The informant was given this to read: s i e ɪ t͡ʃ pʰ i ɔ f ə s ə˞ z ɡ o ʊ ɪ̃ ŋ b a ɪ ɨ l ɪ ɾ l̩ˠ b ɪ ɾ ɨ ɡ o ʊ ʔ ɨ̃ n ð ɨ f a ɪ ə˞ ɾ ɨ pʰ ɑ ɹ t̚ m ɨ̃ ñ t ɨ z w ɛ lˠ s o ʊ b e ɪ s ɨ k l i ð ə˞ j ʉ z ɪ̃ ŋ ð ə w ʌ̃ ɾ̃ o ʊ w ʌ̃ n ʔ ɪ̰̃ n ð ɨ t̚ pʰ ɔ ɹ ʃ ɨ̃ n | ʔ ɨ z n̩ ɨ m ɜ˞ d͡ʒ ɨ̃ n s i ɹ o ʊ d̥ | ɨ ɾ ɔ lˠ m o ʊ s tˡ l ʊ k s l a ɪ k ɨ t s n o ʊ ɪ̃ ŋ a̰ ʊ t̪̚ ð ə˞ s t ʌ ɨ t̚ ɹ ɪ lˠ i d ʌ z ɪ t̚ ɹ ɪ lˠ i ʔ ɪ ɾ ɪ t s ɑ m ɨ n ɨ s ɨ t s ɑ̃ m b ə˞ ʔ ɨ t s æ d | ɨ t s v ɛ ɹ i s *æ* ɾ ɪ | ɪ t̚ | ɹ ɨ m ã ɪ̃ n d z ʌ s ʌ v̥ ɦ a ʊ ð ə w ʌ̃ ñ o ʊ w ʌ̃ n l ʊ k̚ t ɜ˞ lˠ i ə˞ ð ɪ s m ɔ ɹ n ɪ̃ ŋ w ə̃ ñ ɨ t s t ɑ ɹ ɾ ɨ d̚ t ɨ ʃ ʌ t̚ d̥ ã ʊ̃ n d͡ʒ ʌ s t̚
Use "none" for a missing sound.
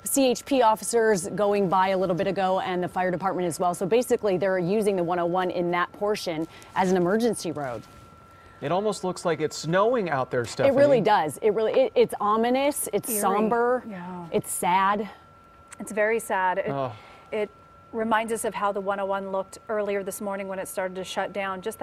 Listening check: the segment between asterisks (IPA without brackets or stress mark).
æ